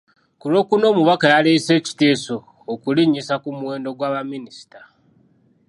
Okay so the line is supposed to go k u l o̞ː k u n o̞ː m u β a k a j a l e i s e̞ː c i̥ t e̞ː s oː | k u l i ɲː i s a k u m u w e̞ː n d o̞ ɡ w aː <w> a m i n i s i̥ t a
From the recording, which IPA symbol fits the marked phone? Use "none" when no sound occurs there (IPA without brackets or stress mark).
β